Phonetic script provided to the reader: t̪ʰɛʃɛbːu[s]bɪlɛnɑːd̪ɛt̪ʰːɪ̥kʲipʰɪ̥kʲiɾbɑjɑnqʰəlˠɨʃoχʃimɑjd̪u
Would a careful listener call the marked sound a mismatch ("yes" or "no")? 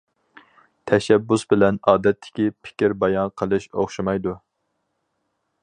no